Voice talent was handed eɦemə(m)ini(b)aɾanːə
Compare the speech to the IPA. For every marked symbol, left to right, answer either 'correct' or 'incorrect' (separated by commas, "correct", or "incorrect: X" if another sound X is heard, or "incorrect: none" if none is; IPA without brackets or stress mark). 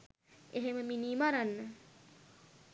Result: correct, incorrect: m